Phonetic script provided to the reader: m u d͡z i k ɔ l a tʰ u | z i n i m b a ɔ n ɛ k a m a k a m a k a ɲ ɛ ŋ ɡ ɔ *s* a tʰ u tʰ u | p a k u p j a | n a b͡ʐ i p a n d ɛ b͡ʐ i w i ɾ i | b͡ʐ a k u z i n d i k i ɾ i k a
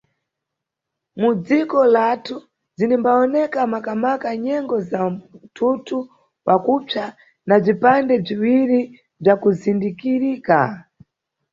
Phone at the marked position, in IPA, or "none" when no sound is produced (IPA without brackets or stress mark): z